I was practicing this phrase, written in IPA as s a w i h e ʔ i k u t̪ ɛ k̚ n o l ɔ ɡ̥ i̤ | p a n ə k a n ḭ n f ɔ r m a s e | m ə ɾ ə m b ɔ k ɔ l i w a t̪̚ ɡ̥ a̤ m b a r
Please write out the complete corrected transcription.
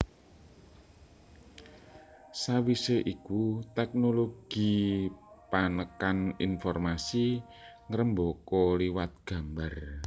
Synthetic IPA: s a w i s e ʔ i k u t̪ ɛ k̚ n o l o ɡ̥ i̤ | p a n ə k a n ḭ n f ɔ r m a s i | ŋ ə ɾ ə m b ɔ k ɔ l i w a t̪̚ ɡ̥ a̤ m b a r